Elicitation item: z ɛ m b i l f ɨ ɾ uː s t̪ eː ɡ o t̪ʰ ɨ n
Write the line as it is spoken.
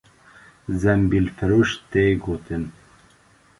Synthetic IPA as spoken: z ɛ m b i l f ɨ ɾ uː ʃ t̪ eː ɡ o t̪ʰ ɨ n